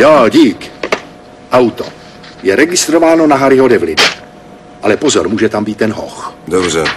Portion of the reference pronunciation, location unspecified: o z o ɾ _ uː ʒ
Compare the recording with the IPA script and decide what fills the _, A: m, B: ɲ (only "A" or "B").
A